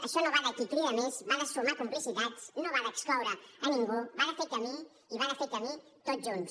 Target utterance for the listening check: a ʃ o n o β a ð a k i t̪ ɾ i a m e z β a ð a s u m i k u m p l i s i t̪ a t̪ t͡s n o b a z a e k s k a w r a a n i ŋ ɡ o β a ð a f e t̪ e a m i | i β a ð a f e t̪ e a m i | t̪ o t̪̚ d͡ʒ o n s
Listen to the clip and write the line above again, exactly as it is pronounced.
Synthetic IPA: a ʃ o n o β a ð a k i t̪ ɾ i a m e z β a ð a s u m a k u m p l i s i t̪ a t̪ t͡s n o β a ð a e k s k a w ɾ a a n i ŋ ɡ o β a ð a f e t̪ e a m i | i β a ð a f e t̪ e a m i | t̪ o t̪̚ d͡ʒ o n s